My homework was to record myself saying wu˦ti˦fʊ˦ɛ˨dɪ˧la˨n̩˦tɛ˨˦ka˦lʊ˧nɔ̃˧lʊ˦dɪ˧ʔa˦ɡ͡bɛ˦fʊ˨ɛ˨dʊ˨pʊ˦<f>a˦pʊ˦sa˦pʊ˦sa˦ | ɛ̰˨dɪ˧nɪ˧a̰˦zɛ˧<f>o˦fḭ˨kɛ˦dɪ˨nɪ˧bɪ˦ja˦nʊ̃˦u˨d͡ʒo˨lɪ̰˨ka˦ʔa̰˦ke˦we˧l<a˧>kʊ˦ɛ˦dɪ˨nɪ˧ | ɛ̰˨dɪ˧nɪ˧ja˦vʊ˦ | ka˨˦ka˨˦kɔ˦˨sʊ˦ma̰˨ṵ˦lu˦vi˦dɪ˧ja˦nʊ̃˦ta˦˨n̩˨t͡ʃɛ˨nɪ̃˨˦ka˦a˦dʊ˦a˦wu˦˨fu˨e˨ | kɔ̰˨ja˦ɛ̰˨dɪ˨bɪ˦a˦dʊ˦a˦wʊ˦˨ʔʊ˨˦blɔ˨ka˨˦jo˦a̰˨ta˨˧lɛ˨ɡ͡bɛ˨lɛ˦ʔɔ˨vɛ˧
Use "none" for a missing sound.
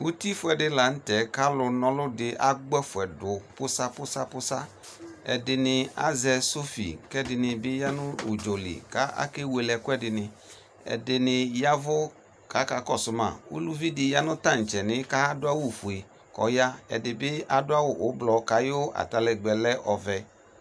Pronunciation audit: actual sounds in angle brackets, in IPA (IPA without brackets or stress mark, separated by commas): s, s, ɛ˧